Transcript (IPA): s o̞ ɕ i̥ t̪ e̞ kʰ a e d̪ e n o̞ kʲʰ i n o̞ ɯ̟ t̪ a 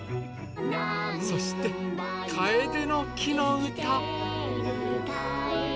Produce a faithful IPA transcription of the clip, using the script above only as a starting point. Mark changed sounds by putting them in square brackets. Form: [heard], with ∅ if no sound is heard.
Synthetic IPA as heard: s o̞ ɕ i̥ t̪ e̞ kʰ a e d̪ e n o̞ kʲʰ i n o̞ ɯ̟ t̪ a